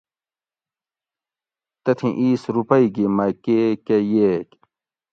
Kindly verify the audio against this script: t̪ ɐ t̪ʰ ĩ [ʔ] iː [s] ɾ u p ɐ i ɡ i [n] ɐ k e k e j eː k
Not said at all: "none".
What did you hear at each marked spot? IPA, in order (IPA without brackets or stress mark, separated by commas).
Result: ʔ, s, m